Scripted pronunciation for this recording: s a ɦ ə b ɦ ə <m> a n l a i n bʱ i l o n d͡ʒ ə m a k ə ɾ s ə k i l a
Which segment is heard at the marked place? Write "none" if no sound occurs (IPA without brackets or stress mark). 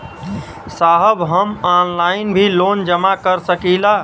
m